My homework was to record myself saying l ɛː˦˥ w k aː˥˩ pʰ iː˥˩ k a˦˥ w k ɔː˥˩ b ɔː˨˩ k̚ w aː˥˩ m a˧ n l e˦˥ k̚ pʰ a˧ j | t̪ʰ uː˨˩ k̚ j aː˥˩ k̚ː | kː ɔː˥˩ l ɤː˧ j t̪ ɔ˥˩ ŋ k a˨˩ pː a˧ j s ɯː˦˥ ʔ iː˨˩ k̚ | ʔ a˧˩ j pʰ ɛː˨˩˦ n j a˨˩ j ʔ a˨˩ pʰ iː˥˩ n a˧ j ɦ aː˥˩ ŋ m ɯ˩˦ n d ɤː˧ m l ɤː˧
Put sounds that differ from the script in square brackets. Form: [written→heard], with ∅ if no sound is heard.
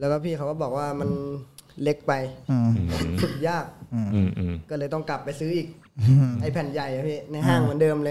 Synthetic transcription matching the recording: l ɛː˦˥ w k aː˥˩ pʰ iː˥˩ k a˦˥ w k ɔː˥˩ b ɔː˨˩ k̚ w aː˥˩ m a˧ n l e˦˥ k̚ [pʰ→p] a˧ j | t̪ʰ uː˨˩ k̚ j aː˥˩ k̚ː | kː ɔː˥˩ l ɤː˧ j t̪ ɔ˥˩ ŋ k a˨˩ pː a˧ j s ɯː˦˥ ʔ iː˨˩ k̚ | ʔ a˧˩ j pʰ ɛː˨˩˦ n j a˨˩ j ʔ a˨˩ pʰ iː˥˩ n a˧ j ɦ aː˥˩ ŋ m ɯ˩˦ n d ɤː˧ m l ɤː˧